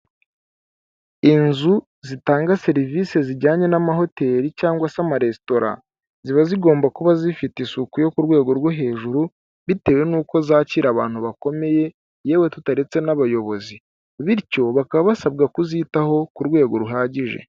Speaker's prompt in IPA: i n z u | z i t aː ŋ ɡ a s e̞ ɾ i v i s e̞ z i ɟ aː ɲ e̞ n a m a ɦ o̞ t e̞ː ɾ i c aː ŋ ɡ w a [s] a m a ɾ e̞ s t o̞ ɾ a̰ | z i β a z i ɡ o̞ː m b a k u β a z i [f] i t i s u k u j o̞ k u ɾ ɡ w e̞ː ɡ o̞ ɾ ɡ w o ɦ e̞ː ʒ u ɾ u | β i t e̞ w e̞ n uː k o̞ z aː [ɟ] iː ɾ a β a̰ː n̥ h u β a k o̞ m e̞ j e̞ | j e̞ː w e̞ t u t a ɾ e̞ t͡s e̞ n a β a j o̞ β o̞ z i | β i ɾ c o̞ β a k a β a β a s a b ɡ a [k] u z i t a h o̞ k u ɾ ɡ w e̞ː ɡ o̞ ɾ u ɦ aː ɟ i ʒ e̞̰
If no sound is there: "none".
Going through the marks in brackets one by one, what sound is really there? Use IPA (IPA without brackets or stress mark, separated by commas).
s, f, c, k